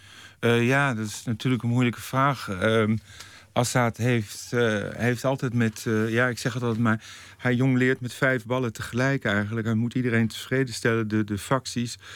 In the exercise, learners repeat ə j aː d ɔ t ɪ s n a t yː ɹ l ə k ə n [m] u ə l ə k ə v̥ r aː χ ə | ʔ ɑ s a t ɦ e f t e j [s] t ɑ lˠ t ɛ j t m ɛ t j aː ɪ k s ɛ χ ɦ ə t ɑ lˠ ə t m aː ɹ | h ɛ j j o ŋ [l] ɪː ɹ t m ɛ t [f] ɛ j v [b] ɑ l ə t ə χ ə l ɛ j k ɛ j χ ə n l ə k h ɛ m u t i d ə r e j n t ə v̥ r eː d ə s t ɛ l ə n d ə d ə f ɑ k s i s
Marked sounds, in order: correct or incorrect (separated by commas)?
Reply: correct, incorrect, correct, correct, correct